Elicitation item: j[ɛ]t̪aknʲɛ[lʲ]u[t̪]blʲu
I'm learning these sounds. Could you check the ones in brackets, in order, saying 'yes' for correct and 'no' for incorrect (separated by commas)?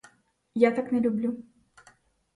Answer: no, yes, no